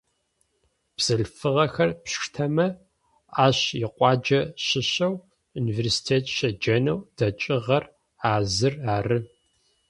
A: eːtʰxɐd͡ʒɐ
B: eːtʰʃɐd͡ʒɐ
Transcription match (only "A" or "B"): B